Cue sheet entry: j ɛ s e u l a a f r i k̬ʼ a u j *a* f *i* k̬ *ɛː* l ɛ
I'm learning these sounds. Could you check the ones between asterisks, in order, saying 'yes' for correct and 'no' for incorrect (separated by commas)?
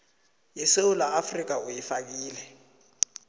no, no, no